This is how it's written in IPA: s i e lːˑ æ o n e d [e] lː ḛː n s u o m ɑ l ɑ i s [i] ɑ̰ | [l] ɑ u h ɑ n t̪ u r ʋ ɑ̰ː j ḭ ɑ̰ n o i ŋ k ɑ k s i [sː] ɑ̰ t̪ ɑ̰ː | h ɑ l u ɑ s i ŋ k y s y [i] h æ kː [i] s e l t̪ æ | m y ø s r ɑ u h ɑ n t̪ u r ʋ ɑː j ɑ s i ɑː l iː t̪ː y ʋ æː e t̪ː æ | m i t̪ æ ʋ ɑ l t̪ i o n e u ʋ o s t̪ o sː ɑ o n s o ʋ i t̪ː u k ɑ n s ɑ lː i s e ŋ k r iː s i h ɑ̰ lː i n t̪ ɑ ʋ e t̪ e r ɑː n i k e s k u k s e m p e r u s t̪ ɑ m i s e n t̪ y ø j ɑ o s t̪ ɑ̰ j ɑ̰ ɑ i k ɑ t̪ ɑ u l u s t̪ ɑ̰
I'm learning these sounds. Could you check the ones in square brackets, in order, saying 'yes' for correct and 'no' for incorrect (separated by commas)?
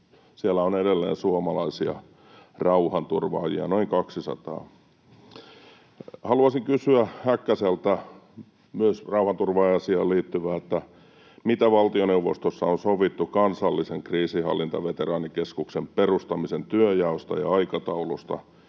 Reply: yes, yes, no, no, no, no